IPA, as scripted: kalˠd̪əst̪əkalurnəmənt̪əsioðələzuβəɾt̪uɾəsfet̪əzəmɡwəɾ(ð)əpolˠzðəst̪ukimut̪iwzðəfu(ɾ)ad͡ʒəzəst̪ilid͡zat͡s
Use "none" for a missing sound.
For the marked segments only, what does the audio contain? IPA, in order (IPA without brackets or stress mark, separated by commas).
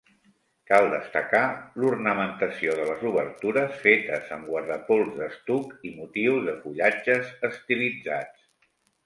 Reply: ð, ʎ